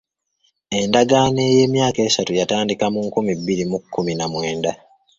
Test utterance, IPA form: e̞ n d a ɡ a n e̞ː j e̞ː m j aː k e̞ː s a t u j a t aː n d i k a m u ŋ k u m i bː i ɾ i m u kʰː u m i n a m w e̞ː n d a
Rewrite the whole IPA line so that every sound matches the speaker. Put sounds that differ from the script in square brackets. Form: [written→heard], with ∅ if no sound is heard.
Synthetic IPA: e̞ n d a ɡ a n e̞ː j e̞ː m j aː k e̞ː s a t u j a t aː n d i k a m u ŋ k u m i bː i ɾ i m u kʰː u m i n a m w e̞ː n d a